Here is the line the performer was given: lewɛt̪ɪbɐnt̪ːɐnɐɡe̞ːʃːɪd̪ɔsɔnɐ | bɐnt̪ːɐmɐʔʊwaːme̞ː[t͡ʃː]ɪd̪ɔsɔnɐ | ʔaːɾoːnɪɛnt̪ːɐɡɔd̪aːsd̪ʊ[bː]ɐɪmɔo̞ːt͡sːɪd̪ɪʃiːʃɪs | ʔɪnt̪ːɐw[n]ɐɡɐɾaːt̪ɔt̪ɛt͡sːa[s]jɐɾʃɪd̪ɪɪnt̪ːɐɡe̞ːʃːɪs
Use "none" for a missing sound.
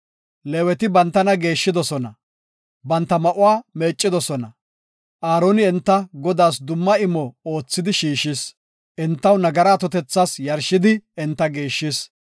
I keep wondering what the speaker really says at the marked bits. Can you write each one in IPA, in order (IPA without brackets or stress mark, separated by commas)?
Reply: t͡ʃʼː, mː, n, s